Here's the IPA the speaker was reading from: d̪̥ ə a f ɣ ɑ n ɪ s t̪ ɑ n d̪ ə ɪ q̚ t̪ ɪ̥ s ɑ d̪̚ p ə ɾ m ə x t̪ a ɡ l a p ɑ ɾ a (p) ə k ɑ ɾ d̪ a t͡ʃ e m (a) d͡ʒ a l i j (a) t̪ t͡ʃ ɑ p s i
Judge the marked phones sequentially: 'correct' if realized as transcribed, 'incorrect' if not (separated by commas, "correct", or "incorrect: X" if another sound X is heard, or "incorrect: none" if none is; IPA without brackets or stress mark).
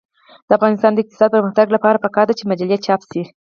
correct, correct, correct